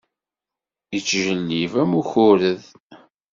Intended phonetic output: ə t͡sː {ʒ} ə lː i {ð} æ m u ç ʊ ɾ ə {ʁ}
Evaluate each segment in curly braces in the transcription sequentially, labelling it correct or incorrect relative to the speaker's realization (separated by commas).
correct, incorrect, incorrect